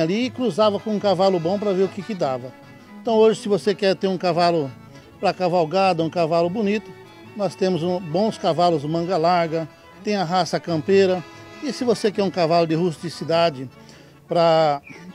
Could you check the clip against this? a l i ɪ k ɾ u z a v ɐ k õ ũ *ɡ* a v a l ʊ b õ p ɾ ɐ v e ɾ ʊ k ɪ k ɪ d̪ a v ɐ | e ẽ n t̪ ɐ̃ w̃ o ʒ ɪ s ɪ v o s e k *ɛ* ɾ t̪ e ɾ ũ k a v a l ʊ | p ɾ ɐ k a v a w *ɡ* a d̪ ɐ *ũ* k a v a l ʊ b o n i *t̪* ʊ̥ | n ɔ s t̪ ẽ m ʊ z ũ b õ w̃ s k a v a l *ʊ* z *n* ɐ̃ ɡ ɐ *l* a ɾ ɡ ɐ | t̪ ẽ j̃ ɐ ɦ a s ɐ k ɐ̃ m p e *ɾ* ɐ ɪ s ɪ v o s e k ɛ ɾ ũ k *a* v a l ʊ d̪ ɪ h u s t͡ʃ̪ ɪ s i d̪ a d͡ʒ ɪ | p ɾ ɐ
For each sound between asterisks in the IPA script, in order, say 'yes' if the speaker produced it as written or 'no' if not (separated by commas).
no, yes, yes, yes, yes, yes, no, yes, yes, yes